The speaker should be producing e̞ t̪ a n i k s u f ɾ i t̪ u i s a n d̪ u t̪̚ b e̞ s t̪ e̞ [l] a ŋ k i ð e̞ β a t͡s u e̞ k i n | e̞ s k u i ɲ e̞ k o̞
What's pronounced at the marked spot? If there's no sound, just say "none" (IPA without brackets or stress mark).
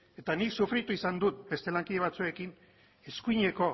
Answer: l